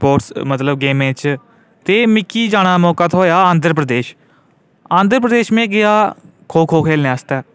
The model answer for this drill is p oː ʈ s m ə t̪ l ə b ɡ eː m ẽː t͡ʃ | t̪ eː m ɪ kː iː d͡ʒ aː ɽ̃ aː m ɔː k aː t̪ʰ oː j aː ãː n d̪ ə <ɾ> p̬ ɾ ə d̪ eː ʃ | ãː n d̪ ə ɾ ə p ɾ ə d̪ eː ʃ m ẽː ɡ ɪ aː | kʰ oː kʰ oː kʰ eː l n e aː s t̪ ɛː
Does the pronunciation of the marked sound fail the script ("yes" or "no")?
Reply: no